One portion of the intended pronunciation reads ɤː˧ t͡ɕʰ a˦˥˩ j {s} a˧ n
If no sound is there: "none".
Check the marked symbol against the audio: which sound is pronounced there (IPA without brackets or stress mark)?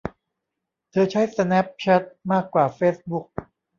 s